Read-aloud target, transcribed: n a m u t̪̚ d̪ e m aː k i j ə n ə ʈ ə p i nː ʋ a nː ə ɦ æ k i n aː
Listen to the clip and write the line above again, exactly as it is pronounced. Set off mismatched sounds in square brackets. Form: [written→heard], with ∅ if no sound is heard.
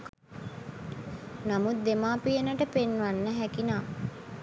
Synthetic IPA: n a m u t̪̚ d̪ e m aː [k→p] i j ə n ə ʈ ə p [i→e] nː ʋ a nː ə ɦ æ k i n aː